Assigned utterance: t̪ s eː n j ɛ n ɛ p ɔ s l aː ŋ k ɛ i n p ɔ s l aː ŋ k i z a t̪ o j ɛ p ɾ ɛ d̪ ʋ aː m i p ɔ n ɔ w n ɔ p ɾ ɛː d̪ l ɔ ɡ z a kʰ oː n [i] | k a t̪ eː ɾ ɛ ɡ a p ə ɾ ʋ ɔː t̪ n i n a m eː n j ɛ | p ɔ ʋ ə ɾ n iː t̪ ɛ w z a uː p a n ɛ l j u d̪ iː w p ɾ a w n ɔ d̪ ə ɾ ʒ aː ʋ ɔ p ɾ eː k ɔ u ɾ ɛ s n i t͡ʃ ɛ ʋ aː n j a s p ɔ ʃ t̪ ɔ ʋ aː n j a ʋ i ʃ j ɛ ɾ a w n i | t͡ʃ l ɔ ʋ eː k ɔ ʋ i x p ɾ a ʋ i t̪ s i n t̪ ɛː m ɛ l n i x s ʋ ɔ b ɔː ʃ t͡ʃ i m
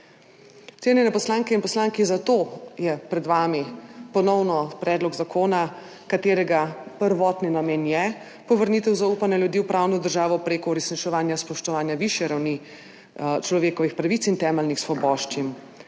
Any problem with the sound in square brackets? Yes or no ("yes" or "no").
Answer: yes